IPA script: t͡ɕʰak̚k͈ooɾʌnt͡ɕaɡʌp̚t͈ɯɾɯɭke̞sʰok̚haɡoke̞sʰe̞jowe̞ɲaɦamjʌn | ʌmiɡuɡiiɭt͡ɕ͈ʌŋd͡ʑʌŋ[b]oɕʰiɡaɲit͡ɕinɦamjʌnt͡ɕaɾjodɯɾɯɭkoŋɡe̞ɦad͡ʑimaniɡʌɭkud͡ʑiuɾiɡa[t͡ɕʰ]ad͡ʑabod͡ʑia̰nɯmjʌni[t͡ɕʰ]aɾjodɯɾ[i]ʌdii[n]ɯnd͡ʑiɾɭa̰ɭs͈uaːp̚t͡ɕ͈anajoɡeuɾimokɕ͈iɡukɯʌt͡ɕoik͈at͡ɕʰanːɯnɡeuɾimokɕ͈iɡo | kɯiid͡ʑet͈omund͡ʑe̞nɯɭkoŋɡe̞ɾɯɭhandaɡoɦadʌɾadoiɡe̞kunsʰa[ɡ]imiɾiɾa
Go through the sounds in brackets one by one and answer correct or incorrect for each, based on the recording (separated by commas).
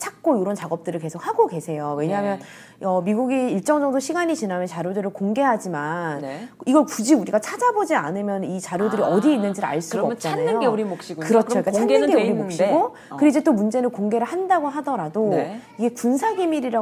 incorrect, correct, incorrect, correct, incorrect, correct